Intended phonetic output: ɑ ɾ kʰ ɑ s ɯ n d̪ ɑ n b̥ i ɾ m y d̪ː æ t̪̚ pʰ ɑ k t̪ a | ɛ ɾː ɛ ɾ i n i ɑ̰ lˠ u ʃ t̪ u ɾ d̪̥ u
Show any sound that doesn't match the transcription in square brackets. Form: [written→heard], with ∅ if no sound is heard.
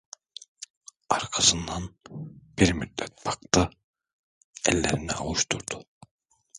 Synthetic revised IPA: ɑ ɾ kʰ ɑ s ɯ n d̪ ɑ n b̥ i ɾ m y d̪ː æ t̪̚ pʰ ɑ k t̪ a | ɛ [ɾː→lː] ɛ ɾ i n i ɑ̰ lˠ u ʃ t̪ u ɾ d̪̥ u